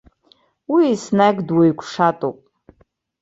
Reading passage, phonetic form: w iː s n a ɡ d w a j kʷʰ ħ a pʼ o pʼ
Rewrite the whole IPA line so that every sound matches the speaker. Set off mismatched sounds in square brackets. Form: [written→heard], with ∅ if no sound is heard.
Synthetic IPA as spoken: w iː s n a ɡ d w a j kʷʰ [ħ→ʂ] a [pʼ→tʼ] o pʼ